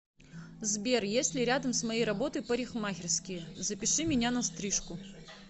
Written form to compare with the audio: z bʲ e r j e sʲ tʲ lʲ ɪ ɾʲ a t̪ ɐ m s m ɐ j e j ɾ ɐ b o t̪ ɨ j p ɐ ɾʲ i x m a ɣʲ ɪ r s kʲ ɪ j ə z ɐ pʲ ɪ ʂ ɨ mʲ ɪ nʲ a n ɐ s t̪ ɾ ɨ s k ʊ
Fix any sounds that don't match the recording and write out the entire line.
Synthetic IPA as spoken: z bʲ e r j e sʲ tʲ lʲ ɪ ɾʲ a d̪ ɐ m s m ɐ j e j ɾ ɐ b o t̪ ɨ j p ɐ ɾʲ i x m a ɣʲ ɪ r s kʲ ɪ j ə z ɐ pʲ ɪ ʂ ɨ mʲ ɪ nʲ a n ɐ s t̪ ɾ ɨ ʂ k ʊ